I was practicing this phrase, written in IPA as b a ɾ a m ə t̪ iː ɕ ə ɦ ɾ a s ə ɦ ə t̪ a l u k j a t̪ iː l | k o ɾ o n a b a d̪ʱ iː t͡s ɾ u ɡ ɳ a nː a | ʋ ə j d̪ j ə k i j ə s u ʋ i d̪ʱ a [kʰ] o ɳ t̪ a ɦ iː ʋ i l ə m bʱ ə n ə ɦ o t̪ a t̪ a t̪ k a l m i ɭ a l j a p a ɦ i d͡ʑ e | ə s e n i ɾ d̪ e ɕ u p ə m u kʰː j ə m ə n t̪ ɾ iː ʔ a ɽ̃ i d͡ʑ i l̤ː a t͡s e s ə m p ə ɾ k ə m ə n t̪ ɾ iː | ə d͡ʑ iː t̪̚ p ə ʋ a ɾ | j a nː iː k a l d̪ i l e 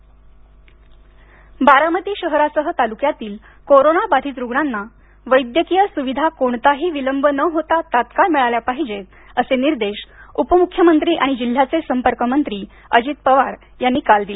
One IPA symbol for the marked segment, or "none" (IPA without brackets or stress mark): k